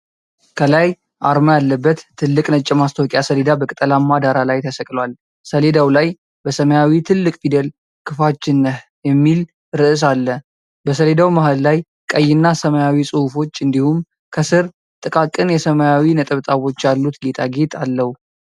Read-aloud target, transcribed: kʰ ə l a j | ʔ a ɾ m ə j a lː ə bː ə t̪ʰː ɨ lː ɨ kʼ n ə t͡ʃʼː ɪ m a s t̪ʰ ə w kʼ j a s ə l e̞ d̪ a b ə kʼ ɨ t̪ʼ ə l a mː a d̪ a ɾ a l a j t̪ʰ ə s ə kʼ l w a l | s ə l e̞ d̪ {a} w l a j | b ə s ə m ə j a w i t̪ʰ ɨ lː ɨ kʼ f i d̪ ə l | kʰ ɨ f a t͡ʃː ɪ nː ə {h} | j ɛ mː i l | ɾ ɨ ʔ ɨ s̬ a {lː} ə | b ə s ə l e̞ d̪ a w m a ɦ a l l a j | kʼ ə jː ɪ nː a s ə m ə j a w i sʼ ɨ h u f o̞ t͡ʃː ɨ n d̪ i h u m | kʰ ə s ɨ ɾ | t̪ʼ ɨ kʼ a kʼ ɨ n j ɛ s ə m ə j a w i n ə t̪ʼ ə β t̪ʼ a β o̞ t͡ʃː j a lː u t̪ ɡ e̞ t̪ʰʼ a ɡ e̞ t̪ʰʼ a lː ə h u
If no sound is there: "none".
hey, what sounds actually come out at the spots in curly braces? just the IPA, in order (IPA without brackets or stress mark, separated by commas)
a, h, lː